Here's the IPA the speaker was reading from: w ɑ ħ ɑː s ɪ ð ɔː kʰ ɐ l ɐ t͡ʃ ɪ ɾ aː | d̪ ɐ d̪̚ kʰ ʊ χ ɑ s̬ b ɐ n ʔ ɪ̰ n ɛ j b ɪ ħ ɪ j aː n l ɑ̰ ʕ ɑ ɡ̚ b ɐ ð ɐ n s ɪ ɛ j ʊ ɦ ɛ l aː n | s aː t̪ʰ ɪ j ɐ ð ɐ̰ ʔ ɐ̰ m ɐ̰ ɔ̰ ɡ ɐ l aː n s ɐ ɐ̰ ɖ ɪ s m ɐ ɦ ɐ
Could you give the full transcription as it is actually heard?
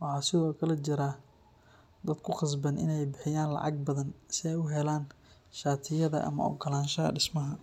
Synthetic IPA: w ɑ ħ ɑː s ɪ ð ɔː kʰ ɐ l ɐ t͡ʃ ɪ ɾ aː | d̪ ɐ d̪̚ kʰ ʊ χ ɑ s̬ b ɐ n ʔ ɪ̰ n ɛ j b ɪ ħ ɪ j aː n l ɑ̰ ʕ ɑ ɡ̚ b ɐ ð ɐ n s ɪ ɛ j ʊ ɦ ɛ l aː n | ʃ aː t̪ʰ ɪ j ɐ ð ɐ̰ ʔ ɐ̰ m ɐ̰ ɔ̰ ɡ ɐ l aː n ʃ ɐ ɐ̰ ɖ ɪ s m ɐ ɦ ɐ

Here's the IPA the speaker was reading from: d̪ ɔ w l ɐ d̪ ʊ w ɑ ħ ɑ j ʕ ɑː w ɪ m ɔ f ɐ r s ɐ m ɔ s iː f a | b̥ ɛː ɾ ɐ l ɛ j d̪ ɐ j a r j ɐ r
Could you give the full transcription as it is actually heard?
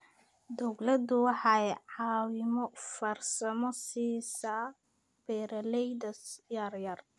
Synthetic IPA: d̪ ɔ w l ɐ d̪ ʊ w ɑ ħ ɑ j ʕ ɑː w ɪ m ɔ f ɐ r s ɐ m ɔ s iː s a | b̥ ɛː ɾ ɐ l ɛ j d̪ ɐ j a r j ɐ r

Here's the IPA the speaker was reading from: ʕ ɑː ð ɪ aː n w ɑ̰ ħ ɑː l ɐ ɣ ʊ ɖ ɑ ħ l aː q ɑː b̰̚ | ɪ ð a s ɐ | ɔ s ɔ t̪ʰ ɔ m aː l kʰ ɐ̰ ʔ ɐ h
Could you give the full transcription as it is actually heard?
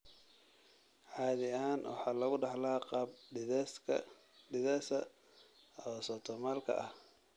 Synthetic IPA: ʕ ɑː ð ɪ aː n w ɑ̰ ħ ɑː l ɐ ɣ ʊ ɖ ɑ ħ l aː q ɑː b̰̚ | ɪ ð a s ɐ | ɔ s ɔ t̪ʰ ɔ m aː l kʰ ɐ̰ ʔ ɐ h

